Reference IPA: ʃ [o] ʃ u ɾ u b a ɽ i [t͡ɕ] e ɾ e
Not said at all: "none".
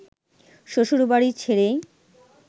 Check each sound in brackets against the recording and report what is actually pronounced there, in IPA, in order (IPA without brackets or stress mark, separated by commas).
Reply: o, t͡ɕʰ